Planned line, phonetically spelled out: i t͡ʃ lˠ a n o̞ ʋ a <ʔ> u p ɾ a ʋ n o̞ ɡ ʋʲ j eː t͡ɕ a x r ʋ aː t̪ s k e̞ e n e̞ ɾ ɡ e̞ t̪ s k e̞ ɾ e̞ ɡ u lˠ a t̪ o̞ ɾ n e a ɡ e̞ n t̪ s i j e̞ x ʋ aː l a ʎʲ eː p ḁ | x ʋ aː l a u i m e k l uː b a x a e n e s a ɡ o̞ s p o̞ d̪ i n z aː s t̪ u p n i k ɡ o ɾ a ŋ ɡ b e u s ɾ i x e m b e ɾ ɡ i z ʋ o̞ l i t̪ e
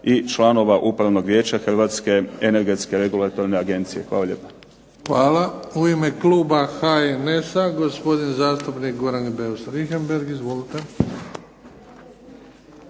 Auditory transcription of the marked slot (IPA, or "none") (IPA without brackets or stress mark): ʔ